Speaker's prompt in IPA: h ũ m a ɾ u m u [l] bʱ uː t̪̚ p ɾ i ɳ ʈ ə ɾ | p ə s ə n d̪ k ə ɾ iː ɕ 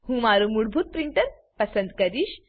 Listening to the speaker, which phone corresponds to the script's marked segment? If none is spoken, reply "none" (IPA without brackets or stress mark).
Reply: ɽ